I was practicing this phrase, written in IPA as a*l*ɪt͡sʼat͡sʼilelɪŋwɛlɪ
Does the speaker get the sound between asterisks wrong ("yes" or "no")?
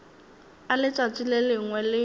no